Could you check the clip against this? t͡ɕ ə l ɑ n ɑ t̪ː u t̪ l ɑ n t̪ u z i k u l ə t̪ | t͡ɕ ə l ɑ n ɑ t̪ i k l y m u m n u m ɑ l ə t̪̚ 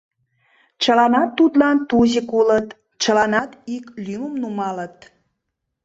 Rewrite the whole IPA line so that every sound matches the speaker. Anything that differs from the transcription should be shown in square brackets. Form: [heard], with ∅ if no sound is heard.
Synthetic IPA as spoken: t͡ɕ ə l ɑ n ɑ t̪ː u t̪ l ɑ n t̪ u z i k u l ə t̪ | t͡ɕ ə l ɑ n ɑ t̪ i k l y m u m n u m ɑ l ə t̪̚